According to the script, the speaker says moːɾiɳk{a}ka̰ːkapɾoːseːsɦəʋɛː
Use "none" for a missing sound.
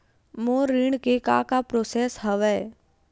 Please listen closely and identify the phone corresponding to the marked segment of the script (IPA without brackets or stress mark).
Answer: e